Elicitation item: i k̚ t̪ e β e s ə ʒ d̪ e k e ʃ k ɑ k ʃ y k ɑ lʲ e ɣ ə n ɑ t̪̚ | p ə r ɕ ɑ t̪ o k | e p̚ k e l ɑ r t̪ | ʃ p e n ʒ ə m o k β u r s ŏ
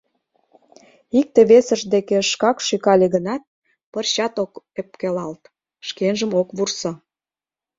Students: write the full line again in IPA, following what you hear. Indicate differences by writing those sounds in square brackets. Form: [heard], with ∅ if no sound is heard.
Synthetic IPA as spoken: i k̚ t̪ e β e s ə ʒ d̪ e k e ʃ k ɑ k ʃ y k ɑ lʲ e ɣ ə n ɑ t̪̚ | p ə r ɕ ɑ t̪ o k | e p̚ k e l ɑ [l] t̪ | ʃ [k] e n ʒ ə m o k β u r s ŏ